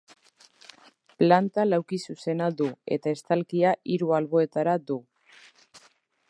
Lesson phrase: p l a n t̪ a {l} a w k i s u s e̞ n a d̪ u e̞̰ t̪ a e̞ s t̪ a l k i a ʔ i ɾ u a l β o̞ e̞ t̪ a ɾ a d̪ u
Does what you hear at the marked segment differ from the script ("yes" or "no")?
no